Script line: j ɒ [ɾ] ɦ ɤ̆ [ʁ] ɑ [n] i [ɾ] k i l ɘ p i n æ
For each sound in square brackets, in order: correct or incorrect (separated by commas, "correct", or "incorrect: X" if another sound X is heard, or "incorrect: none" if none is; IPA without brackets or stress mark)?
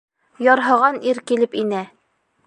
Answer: correct, correct, correct, correct